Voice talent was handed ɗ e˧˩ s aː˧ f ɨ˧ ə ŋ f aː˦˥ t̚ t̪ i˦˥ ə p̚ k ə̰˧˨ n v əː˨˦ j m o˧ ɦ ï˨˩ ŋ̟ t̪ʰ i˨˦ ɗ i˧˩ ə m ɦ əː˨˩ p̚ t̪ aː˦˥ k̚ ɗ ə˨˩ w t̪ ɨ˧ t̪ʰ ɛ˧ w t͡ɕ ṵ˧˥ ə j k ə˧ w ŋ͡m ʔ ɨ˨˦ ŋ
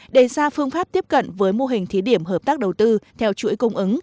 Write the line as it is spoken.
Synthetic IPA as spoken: ɗ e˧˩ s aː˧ f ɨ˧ ə ŋ f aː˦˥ p̚ t̪ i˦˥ ə p̚ k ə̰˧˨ n v əː˨˦ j m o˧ ɦ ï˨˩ ŋ̟ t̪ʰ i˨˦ ɗ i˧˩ ə m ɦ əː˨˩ p̚ t̪ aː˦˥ k̚ ɗ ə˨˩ w t̪ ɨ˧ t̪ʰ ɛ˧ w t͡ɕ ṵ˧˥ ə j k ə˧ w ŋ͡m ʔ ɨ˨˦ ŋ